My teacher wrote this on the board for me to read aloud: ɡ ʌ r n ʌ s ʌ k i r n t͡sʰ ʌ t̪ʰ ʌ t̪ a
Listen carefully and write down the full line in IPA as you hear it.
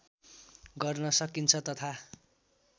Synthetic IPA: ɡ ʌ r n ʌ s ʌ k i n t͡sʰ ʌ t̪ ʌ t̪ʰ a